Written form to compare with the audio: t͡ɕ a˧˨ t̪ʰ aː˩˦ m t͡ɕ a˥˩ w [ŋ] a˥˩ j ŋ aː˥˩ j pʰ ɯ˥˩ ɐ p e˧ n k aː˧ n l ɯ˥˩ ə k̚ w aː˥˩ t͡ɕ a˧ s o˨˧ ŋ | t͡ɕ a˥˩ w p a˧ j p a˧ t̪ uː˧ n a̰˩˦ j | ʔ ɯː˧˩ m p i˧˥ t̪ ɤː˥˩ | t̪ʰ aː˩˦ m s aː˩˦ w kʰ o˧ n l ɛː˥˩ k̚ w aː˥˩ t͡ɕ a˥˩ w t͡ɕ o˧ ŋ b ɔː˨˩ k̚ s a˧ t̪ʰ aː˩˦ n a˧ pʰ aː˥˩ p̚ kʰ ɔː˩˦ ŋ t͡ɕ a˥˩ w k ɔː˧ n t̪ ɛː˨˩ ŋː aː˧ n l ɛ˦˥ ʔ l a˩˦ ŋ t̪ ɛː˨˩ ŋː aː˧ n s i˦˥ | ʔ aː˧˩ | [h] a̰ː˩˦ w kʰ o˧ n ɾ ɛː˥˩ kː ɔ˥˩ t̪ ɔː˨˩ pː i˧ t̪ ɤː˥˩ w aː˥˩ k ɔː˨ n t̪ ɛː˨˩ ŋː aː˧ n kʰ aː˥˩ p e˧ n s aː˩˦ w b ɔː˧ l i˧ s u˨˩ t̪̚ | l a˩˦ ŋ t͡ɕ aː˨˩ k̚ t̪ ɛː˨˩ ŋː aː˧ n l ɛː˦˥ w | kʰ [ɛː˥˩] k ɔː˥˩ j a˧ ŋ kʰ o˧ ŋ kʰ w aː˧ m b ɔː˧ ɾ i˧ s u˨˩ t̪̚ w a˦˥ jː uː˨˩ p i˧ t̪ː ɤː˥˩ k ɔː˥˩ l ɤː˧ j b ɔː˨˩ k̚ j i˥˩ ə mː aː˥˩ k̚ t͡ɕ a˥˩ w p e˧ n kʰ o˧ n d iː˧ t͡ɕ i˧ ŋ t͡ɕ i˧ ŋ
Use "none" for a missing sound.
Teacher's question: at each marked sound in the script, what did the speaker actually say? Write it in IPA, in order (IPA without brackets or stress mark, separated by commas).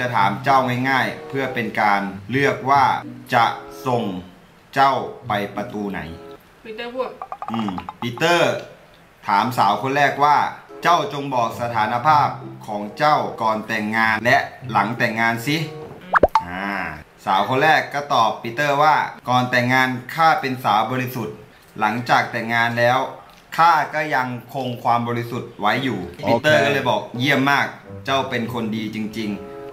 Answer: ŋ, s, aː˥˩